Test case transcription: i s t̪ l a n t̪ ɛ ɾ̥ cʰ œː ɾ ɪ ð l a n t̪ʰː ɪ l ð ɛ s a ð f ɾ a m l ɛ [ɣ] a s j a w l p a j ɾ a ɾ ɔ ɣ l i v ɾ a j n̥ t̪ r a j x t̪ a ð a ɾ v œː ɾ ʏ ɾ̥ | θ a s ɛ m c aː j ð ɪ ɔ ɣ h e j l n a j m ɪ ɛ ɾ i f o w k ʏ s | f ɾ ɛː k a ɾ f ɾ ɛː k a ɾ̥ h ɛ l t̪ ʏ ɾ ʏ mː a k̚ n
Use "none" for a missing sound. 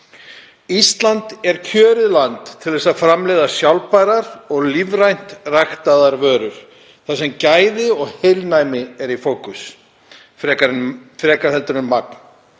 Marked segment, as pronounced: ð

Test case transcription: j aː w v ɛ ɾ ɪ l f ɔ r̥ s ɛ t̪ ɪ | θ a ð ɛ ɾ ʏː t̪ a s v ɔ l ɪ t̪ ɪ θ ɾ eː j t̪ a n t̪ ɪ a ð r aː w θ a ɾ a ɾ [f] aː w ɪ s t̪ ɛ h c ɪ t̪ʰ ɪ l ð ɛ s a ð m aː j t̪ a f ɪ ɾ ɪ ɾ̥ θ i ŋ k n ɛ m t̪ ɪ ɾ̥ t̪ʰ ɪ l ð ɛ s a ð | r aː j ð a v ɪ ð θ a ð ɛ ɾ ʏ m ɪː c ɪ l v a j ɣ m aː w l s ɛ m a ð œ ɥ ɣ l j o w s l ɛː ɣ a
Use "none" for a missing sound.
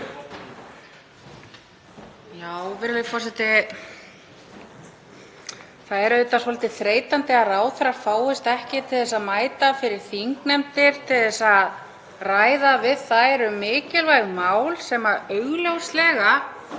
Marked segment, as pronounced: f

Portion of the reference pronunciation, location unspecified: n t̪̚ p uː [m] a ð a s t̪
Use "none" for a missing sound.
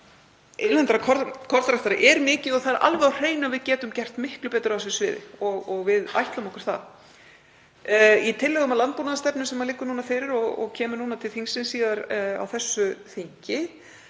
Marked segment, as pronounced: n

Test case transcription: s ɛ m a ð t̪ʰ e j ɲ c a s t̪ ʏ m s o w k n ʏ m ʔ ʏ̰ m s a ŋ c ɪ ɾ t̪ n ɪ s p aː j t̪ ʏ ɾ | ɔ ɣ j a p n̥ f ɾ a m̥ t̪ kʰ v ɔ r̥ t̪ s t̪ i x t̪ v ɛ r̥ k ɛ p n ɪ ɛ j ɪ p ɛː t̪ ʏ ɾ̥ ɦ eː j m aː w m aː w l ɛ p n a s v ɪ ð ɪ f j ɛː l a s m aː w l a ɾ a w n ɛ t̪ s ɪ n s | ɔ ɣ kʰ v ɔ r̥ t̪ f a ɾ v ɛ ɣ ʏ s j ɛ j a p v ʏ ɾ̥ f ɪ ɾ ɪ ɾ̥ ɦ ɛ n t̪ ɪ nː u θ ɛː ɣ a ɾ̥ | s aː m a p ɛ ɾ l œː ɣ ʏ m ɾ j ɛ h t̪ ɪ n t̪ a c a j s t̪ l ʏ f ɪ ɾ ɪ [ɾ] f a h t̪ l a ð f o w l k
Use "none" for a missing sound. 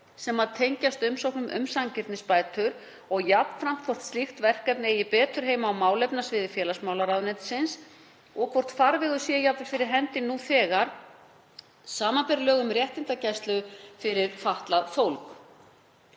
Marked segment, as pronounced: ɾ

